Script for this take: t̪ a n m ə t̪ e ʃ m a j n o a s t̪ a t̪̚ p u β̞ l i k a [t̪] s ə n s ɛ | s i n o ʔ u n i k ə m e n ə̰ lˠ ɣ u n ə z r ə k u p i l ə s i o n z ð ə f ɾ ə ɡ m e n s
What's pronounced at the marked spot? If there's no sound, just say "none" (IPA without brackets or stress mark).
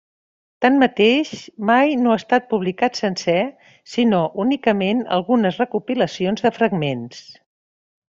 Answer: t̪